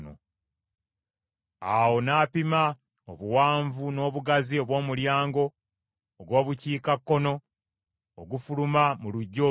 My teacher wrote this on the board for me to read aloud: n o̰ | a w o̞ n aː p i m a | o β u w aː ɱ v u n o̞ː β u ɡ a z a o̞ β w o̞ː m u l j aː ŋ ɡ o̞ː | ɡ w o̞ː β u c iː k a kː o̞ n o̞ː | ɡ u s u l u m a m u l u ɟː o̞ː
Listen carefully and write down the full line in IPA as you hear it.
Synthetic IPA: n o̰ | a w o̞ n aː p i m a | o β u w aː ɱ v u n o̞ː β u ɡ a z i o̞ β w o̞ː m u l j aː ŋ ɡ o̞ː | ɡ w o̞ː β u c iː k a kː o̞ n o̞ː | ɡ u f u l u m a m u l u ɟː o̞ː